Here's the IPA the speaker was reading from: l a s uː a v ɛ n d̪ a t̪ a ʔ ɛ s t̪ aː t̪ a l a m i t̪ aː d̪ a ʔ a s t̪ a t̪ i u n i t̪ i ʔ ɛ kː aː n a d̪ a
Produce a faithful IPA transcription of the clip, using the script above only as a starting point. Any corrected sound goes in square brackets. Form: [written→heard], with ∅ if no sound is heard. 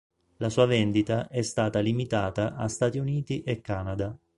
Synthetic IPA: l a s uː a v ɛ n d̪ [a→i] t̪ a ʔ ɛ s t̪ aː t̪ a l [a→i] m i t̪ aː [d̪→t̪] a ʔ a s t̪ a t̪ i u n [i→iː] t̪ i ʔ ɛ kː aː n a d̪ a